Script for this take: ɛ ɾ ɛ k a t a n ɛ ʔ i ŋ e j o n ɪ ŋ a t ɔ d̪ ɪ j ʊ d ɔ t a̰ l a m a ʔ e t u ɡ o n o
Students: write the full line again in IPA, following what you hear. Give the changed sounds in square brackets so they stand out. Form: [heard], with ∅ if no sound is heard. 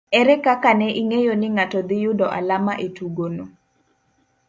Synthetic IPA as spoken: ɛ ɾ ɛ k a [k] a n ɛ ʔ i ŋ e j o n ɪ ŋ a t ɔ d̪ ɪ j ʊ d ɔ [ʔ] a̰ l a m a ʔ e t u ɡ o n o